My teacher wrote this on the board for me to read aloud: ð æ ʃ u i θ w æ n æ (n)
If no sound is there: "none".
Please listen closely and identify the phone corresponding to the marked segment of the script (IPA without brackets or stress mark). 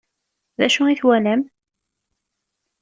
m